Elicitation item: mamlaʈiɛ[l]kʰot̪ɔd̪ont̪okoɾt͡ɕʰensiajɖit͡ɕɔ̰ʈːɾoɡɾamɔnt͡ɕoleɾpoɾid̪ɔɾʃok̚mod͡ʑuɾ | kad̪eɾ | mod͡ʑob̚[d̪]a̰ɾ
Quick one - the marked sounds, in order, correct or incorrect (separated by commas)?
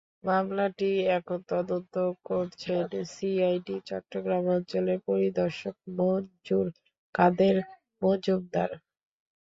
incorrect, correct